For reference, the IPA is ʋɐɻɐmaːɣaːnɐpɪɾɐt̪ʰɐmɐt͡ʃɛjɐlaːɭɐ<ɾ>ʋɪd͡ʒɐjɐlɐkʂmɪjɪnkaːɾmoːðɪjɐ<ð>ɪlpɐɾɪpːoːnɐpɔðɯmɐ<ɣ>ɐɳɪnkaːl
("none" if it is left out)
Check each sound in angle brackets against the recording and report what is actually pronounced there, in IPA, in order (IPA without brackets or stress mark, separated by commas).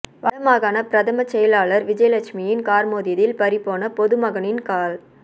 ɾ, ð, ɣ